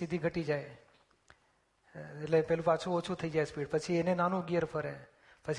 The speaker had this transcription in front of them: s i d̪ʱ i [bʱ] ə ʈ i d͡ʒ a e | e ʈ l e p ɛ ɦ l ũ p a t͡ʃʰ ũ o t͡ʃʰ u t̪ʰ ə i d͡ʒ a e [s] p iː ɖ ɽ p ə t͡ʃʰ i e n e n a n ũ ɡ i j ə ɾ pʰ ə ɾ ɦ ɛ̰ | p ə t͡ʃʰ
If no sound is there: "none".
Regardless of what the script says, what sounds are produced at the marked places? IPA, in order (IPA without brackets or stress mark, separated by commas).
ɡʱ, s